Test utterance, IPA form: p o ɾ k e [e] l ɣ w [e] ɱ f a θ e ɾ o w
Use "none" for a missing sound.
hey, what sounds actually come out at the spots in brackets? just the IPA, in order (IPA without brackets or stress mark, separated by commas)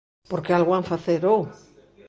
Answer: a, a